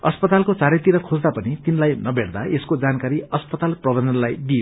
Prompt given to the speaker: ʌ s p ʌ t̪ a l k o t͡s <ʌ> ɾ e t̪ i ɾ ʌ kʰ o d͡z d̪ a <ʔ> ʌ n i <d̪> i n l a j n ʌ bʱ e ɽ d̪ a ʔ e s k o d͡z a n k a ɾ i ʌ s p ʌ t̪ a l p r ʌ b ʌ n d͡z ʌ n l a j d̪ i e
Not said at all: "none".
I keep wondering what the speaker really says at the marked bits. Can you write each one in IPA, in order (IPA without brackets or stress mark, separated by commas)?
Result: a, p, t̪